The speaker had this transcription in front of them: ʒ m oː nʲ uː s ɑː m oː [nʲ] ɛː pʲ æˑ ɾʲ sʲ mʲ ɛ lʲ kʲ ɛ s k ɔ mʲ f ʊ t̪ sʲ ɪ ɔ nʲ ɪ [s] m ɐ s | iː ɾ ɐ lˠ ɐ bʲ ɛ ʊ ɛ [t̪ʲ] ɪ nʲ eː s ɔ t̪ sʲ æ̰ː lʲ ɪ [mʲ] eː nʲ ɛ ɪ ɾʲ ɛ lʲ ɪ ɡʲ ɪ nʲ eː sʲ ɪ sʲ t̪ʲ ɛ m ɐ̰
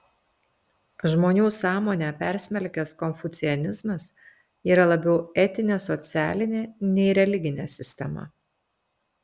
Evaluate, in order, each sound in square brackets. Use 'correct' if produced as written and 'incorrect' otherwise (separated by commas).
correct, incorrect, correct, incorrect